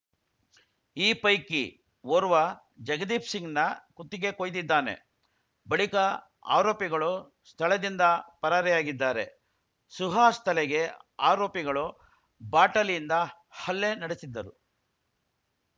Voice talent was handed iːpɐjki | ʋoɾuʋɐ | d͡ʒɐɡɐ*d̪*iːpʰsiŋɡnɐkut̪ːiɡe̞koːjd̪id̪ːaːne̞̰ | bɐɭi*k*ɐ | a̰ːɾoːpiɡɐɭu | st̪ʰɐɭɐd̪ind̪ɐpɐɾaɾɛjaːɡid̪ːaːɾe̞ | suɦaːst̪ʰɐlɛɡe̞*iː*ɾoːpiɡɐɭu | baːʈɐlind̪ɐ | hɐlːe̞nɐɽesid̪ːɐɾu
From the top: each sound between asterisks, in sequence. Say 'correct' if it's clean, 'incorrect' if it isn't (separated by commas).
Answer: correct, correct, incorrect